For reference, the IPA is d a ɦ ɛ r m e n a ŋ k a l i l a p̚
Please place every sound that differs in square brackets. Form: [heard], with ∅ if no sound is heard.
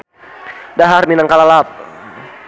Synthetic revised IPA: d a ɦ [a] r m [i] n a ŋ k a l [a] l a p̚